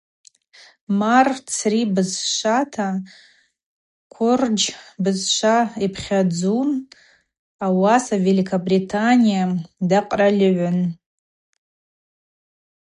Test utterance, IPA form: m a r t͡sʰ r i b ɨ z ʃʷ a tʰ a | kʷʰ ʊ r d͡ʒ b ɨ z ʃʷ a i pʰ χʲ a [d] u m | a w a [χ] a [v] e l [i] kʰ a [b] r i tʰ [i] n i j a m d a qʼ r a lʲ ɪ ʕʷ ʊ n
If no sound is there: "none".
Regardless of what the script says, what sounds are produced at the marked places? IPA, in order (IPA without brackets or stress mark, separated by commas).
d͡z, s, v, i, b, a